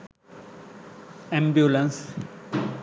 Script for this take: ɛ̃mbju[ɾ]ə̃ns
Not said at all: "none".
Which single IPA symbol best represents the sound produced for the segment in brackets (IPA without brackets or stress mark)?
l